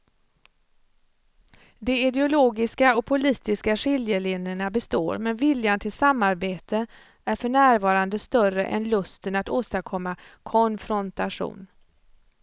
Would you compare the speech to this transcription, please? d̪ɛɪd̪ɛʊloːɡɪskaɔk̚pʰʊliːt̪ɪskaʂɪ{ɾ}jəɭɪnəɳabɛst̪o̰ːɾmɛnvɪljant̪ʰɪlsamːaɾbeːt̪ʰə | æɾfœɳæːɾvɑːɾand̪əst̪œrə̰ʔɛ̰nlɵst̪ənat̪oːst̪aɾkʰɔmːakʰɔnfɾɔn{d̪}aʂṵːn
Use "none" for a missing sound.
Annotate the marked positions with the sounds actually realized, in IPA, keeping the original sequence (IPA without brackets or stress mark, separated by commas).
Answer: l, t̪